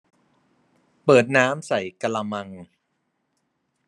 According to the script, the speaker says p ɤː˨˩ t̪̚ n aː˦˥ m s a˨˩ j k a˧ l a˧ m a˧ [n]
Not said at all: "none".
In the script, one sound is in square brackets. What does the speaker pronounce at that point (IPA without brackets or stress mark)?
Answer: ŋ